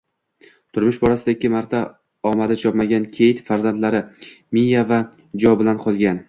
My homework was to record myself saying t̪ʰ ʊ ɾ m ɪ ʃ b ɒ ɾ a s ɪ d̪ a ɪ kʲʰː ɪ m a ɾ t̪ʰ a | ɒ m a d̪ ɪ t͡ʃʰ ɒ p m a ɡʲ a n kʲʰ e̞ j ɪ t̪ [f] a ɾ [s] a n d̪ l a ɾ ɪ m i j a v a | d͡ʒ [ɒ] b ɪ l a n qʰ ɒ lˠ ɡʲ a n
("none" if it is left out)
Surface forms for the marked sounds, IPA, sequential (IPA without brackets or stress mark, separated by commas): f, z, ɒ